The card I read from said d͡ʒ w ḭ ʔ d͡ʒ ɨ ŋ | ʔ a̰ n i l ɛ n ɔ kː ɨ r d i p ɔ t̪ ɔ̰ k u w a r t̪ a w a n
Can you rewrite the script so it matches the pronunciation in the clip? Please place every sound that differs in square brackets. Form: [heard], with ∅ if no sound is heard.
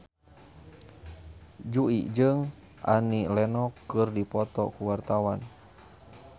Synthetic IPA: d͡ʒ [u] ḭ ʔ d͡ʒ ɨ ŋ | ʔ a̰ n i l ɛ n ɔ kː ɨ r d i p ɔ t̪ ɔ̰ k u w a r t̪ a w a n

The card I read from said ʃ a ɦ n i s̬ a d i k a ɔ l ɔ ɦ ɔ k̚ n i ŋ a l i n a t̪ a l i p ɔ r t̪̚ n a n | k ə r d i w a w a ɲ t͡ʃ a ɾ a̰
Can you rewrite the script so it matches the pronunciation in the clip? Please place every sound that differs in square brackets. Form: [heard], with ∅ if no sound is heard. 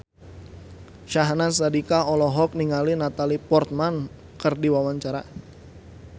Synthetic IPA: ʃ a ɦ n [a] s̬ a d i k a ɔ l ɔ ɦ ɔ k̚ n i ŋ a l i n a t̪ a l i p ɔ r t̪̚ [m] a n | k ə r d i w a w a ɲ t͡ʃ a ɾ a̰

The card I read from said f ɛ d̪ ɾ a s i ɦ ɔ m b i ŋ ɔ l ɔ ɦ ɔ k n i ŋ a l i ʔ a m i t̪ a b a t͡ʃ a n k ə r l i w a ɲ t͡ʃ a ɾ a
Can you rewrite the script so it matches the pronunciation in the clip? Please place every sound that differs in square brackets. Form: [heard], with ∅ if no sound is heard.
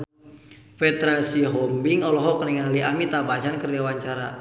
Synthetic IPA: f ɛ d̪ ɾ a s i ɦ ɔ m b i ŋ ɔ l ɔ ɦ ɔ k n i ŋ a l i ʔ a m i t̪ a b a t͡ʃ a n k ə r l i w a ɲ t͡ʃ a ɾ a

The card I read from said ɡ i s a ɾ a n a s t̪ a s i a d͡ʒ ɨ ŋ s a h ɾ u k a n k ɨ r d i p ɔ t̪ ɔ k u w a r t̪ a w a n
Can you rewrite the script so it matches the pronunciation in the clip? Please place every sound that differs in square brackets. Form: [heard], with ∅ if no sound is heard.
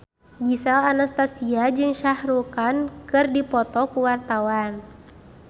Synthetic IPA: ɡ i s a [l] a n a s t̪ a s i a d͡ʒ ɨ ŋ [ʃ] a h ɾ u k a n k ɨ r d i p ɔ t̪ ɔ k u w a r t̪ a w a n

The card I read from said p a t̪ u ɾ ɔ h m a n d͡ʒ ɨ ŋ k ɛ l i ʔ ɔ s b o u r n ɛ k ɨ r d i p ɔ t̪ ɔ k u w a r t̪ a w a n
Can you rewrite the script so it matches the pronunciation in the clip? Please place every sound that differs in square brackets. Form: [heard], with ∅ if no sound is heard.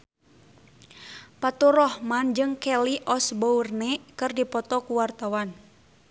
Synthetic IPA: p a t̪ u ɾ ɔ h m a n d͡ʒ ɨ ŋ k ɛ l i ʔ ɔ s b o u r n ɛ k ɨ r d i p ɔ t̪ ɔ k u w a r t̪ a w a n

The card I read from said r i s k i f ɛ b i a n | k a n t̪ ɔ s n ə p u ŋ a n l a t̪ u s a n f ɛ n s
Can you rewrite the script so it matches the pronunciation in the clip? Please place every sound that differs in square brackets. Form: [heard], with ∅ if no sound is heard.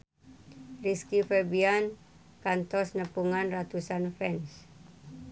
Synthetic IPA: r i s k i f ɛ b i a n | k a n t̪ ɔ s n ə p u ŋ a n [r] a t̪ u s a n f ɛ n s

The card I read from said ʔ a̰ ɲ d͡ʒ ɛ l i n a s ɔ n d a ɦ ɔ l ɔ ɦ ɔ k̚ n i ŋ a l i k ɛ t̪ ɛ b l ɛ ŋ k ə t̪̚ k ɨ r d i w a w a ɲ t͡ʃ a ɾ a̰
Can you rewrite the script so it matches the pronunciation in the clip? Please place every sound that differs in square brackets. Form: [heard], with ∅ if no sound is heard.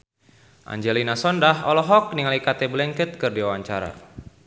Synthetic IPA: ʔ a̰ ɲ d͡ʒ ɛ l i n a s ɔ n d a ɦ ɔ l ɔ ɦ ɔ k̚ n i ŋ a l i k [a] t̪ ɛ b l ɛ ŋ k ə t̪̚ k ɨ r d i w a w a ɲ t͡ʃ a ɾ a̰

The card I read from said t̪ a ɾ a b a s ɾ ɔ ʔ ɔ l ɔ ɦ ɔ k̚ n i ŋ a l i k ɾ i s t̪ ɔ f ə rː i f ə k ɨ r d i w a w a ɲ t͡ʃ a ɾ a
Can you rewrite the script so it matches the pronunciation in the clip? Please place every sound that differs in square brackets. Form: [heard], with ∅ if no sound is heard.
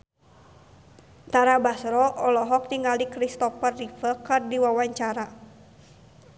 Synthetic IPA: t̪ a ɾ a b a s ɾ ɔ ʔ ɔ l ɔ ɦ ɔ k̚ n i ŋ a l i k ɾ i s t̪ ɔ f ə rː i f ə k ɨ r d i w a w a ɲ t͡ʃ a ɾ a

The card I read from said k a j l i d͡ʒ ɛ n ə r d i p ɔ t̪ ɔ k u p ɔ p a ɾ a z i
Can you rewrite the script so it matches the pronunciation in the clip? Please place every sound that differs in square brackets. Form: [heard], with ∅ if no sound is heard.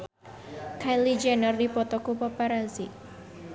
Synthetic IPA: k a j l i d͡ʒ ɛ n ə r d i p ɔ t̪ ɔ k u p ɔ p a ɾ a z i

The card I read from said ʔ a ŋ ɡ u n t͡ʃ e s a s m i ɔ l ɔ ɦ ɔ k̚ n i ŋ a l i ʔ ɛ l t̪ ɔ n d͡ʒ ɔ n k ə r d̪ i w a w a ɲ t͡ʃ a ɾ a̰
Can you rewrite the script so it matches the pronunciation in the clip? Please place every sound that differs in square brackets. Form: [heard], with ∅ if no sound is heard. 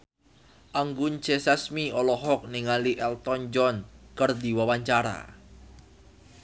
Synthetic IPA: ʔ a ŋ ɡ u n t͡ʃ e s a s m i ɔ l ɔ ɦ ɔ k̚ n i ŋ a l i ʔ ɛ l t̪ ɔ n d͡ʒ ɔ n k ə r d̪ i w a w a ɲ t͡ʃ a ɾ a̰

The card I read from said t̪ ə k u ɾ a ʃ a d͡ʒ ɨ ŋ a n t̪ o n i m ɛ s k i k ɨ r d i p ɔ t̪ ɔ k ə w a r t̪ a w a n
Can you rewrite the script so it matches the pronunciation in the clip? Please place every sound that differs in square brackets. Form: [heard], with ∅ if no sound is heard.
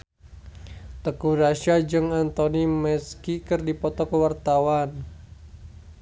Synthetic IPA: t̪ ə k u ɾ a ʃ a d͡ʒ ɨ ŋ a n t̪ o n i m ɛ s k i k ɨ r d i p ɔ t̪ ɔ k ə w a r t̪ a w a n

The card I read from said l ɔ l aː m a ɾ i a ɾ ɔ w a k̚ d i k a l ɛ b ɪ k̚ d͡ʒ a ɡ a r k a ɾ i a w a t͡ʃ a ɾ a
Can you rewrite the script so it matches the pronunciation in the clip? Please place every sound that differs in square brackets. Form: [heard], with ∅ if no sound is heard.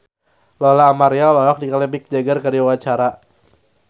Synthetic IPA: l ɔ l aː m a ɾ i a [l] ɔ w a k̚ d i k a l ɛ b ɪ k̚ d͡ʒ a ɡ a r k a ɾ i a w a t͡ʃ a ɾ a

